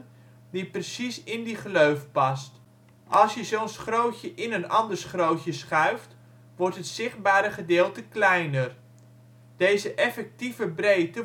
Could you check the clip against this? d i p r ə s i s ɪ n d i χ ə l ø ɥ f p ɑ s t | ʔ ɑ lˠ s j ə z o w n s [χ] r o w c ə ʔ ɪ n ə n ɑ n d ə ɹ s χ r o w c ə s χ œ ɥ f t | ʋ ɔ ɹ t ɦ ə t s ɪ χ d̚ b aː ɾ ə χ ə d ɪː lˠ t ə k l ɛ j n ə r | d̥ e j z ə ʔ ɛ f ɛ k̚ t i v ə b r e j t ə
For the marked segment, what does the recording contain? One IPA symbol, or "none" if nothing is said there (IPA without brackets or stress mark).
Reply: χ